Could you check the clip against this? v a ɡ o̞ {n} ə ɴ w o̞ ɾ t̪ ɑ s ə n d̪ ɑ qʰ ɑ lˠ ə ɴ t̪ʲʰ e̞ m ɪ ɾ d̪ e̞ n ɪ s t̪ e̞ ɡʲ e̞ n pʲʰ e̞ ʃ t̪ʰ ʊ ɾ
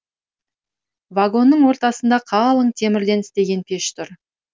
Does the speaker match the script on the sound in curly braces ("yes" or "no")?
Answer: no